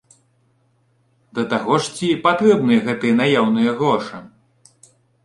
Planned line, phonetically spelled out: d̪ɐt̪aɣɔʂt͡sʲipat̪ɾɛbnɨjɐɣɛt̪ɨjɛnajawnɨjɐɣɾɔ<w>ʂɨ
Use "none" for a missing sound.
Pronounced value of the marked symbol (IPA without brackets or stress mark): none